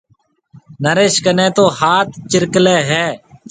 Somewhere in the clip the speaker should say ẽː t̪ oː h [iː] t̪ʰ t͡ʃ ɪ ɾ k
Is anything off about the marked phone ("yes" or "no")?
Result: yes